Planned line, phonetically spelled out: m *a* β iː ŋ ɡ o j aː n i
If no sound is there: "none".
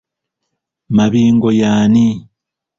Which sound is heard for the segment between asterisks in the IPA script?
a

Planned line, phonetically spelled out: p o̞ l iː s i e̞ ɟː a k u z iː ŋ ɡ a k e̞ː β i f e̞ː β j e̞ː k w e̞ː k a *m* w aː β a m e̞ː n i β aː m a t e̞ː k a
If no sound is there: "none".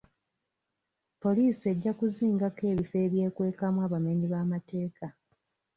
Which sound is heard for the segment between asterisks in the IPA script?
m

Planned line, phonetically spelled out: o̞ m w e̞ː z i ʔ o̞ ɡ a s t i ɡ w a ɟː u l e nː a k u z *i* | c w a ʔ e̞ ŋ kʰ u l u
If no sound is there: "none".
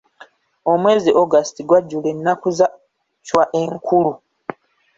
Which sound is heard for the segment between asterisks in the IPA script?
a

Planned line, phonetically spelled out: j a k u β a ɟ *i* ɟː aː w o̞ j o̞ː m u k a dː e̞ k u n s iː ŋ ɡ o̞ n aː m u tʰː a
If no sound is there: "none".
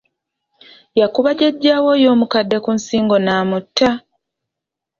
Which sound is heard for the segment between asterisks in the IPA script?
e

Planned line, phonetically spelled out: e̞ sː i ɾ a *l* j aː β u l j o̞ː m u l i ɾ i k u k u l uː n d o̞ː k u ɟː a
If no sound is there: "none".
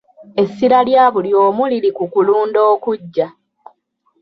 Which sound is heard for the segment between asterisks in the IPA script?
l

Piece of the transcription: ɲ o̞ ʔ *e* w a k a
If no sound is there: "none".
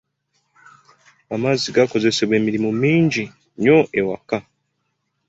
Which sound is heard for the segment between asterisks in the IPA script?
e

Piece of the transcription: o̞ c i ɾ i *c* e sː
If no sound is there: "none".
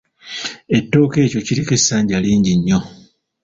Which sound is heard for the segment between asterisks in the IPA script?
k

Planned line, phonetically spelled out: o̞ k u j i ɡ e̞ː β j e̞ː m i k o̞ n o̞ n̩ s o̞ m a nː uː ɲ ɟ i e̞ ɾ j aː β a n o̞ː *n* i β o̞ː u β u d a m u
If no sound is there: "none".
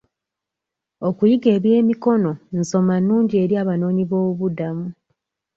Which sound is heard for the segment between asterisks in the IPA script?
ɲ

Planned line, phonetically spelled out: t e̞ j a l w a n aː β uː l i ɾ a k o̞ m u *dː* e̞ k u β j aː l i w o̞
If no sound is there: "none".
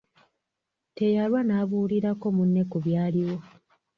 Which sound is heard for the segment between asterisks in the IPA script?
nː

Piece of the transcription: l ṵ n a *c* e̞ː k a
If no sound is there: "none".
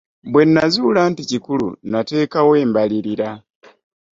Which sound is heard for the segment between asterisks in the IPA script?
t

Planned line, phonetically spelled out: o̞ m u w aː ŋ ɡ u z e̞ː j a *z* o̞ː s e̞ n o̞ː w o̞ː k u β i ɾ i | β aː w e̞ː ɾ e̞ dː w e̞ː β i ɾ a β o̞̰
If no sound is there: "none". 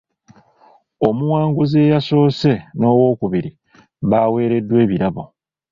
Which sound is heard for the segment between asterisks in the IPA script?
s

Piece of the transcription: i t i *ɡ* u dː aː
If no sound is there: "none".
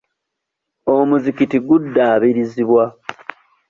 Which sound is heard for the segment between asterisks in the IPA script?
ɡ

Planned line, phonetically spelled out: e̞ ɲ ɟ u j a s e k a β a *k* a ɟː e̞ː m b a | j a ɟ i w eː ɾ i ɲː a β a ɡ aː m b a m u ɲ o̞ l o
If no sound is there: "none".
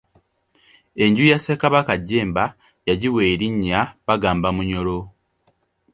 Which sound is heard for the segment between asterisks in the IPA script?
k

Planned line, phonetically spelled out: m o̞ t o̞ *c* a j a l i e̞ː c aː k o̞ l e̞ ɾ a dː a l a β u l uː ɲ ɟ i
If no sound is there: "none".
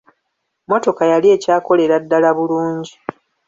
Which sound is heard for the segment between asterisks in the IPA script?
k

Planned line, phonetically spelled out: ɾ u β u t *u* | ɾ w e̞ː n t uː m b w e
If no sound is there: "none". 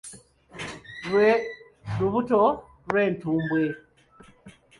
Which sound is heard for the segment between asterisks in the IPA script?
o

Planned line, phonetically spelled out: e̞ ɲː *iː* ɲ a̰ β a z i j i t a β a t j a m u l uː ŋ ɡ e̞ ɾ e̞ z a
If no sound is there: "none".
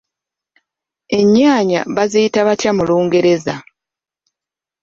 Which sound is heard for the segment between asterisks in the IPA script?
aː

